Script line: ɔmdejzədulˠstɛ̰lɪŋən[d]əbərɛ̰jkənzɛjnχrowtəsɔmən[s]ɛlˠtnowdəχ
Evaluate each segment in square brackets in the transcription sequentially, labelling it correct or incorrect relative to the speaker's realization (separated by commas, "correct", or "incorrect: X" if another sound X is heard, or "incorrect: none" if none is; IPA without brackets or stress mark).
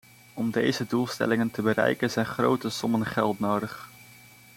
incorrect: t, incorrect: χ